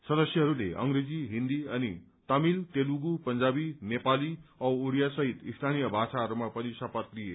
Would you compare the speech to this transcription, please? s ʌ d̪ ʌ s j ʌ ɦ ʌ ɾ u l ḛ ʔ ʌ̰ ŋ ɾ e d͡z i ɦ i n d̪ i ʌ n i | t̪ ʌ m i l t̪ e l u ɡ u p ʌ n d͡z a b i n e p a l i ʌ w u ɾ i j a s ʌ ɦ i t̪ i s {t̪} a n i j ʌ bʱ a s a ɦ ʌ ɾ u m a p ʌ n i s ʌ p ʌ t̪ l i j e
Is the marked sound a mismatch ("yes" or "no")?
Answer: yes